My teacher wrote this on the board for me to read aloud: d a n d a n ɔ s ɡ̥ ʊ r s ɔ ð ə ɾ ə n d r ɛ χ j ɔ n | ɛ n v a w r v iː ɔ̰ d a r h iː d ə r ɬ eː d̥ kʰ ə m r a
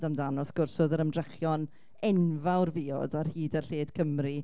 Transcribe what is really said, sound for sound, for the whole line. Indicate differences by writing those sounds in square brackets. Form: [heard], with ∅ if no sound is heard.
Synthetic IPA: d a [m] d a n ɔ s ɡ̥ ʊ r s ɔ ð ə ɾ ə [m] d r ɛ χ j ɔ n | ɛ n v a w r v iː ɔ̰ d a r h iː d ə r ɬ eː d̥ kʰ ə m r [i]